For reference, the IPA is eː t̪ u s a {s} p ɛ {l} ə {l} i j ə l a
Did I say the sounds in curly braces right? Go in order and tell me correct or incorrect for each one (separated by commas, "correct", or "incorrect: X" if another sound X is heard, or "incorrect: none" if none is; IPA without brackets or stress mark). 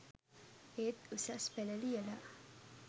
correct, correct, correct